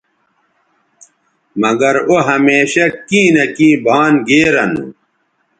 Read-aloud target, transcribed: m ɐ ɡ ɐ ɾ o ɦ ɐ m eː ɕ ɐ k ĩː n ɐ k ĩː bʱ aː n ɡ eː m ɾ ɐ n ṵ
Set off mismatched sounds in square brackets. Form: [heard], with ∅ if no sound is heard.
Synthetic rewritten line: m ɐ ɡ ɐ ɾ o ɦ ɐ m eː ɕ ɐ k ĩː n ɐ k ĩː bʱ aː n ɡ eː [∅] ɾ ɐ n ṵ